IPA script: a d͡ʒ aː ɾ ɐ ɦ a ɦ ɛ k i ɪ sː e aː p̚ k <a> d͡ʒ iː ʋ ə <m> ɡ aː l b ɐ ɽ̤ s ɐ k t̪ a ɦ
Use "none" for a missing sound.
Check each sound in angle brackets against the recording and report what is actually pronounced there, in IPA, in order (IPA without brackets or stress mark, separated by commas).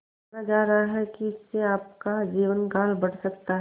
a, n